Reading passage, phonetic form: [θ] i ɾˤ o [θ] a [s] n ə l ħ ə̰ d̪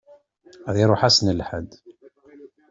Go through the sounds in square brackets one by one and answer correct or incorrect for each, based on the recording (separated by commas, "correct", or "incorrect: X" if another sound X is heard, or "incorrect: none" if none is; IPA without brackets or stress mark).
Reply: incorrect: ð, incorrect: ħ, correct